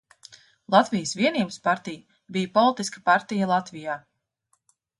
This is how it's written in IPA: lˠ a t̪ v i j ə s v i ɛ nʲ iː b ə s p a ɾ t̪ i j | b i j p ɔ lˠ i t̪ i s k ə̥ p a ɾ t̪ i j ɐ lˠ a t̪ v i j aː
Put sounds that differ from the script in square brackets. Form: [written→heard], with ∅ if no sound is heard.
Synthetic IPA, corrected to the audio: lˠ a t̪ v i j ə s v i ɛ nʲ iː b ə s p a ɾ t̪ i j | b i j p ɔ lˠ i t̪ i s k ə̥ p a ɾ t̪ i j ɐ lˠ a t̪ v i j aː